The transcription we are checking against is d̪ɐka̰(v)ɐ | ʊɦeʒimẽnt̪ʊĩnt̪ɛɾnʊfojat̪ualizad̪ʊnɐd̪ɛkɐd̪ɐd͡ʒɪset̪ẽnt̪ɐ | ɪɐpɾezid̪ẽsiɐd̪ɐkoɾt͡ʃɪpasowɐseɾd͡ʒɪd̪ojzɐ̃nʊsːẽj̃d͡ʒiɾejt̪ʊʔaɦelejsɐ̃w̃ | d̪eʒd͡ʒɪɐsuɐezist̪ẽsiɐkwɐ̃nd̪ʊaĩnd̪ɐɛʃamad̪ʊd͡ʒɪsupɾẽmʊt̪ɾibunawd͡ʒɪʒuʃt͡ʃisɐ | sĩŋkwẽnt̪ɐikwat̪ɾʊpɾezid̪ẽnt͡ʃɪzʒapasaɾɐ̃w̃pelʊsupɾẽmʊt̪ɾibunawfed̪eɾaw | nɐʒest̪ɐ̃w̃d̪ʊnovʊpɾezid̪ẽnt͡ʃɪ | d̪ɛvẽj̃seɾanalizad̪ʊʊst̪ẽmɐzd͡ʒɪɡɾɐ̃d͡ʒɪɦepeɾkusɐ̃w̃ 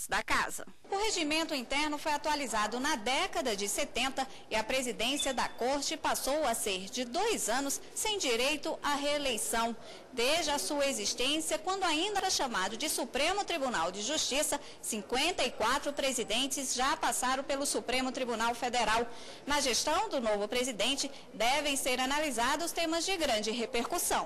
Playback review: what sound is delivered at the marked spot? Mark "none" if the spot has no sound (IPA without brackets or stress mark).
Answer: z